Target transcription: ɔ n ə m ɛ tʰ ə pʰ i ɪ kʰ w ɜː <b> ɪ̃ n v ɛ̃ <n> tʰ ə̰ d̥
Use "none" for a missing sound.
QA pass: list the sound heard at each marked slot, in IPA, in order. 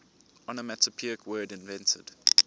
d, n

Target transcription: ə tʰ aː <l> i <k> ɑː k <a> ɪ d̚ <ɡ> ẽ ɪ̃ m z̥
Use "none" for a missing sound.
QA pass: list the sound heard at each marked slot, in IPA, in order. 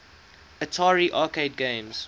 ɹ, ʔ, e, ɡ

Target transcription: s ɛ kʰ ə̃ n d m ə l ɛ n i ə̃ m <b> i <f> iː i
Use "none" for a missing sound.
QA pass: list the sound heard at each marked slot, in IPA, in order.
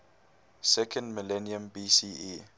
b, s

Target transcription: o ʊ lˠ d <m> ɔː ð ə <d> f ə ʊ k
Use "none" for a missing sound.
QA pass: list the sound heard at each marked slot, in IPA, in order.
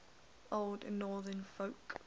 n, n

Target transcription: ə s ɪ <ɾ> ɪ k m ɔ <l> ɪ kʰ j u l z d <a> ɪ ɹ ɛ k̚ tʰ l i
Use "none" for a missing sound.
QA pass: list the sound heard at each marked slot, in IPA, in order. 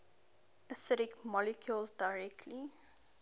ɾ, l, a

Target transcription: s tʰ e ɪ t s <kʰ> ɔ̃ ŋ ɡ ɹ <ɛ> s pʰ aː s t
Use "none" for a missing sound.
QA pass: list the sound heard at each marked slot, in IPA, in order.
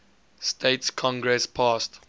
kʰ, ɛ

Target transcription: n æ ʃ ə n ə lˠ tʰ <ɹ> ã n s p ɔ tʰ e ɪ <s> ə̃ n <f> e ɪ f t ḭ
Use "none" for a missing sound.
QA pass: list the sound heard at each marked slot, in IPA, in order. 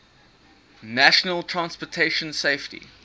ɹ, ʃ, s

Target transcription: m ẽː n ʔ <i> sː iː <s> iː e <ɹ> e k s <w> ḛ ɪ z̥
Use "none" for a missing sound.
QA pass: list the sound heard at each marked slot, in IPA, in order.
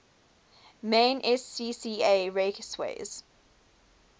ɛ, s, ɹ, w

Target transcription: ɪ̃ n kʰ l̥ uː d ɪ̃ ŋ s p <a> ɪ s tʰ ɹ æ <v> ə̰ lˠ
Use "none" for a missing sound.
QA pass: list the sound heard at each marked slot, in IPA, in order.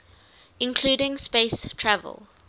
e, v

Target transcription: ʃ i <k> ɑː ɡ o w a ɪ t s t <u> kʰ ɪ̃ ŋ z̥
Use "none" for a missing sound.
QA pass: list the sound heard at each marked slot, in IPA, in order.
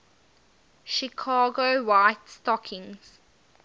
kʰ, ɔ

